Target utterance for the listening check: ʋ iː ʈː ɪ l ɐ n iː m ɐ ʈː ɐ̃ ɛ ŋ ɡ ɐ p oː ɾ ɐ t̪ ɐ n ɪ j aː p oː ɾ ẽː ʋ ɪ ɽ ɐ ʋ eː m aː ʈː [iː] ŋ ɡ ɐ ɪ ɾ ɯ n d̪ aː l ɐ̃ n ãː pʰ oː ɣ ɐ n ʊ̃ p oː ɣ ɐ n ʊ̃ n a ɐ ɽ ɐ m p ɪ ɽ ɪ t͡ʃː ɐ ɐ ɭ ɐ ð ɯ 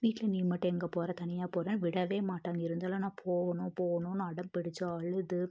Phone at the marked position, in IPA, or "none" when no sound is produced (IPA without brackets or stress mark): aː